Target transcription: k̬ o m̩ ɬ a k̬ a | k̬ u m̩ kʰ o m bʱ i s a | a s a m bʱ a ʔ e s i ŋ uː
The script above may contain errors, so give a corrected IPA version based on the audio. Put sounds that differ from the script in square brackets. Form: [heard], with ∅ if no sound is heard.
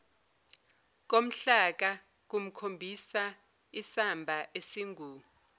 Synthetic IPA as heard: k̬ o m̩ ɬ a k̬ a | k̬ u m̩ kʰ o m bʱ i s a | [i] s a m bʱ a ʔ e s i ŋ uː